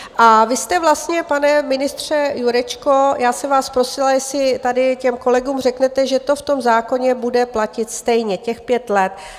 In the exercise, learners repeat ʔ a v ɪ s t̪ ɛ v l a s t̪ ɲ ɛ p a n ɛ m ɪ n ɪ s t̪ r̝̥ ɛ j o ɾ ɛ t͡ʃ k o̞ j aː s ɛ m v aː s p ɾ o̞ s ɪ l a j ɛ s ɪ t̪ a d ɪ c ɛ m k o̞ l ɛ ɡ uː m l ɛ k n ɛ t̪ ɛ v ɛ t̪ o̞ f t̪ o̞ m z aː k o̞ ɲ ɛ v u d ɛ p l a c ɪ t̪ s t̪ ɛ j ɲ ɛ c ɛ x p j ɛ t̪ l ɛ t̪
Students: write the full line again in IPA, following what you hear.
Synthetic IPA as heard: ʔ a v ɪ s t̪ ɛ v l a s t̪ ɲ ɛ p a n ɛ m ɪ n ɪ s t̪ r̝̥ ɛ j u ɾ ɛ t͡ʃ k o̞ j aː s ɛ m v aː s p ɾ o̞ s ɪ l a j ɛ s ɪ t̪ a d ɪ c ɛ m k o̞ l ɛ ɡ uː m r ɛ k n ɛ t̪ ɛ ʒ ɛ t̪ o̞ f t̪ o̞ m z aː k o̞ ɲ ɛ b u d ɛ p l a c ɪ t̪ s t̪ ɛ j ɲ ɛ c ɛ x p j ɛ t̪ l ɛ t̪